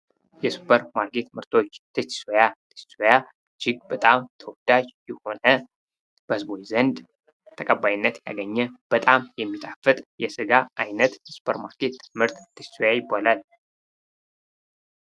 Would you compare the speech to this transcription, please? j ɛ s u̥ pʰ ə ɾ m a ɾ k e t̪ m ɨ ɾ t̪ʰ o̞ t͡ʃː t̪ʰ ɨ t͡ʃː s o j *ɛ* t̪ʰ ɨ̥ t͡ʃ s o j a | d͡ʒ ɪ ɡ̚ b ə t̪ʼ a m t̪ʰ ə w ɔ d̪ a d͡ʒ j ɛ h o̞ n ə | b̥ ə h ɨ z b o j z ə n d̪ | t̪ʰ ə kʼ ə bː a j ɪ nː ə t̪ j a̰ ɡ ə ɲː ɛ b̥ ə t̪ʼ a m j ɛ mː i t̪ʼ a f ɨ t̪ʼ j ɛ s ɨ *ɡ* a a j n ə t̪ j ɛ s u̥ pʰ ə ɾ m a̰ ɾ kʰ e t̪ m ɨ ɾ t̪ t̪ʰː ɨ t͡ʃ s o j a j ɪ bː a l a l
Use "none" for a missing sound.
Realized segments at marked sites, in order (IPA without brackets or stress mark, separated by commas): a, ɡ